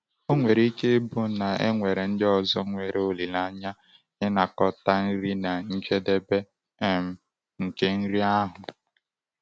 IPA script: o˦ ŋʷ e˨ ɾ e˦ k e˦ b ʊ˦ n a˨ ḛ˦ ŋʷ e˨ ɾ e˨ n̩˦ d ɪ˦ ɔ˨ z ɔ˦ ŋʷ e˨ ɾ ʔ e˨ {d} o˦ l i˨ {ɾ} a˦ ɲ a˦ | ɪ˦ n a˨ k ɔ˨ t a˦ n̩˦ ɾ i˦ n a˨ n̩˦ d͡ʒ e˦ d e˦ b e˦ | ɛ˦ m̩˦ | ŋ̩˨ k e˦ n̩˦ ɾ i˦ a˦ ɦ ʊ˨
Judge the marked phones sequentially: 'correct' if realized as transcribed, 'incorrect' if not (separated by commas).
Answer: incorrect, incorrect